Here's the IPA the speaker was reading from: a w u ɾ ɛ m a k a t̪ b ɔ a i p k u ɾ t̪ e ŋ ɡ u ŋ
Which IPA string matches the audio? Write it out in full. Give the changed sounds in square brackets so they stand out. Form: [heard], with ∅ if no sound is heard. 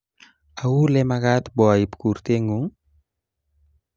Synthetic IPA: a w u [l] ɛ m a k a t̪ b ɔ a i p k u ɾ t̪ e ŋ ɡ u ŋ